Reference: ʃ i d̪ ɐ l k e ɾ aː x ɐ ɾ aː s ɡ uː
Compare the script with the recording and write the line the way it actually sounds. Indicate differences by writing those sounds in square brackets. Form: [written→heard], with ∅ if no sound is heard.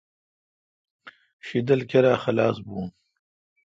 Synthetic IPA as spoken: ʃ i d̪ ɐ l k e ɾ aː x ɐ [ɾ→l] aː s [ɡ→b] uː